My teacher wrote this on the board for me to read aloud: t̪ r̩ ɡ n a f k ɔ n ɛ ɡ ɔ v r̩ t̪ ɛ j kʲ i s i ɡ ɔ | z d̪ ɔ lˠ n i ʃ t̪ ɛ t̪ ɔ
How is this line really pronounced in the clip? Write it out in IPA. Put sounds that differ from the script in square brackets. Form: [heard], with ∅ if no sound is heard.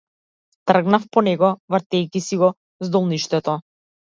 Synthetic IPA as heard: t̪ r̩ ɡ n a f [p] ɔ n ɛ ɡ ɔ v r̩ t̪ ɛ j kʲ i s i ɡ ɔ | z d̪ ɔ lˠ n i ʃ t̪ ɛ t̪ ɔ